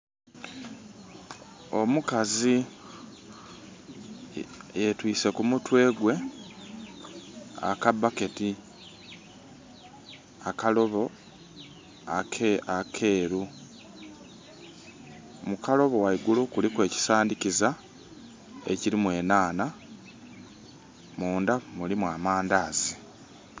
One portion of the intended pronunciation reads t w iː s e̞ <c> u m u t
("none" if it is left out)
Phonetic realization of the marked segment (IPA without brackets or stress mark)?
k